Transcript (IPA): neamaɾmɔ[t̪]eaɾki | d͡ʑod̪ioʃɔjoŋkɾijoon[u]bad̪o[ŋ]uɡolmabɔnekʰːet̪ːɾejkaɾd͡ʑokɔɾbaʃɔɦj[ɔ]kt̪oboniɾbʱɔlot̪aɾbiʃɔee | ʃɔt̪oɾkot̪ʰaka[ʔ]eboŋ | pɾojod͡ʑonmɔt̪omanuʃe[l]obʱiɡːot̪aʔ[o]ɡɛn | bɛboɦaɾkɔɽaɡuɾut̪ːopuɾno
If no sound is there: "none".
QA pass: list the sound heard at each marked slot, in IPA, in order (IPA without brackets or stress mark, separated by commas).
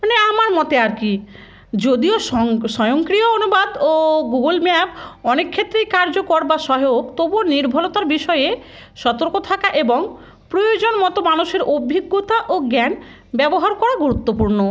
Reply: t̪, u, ɡ, o, ʔ, ɾ, o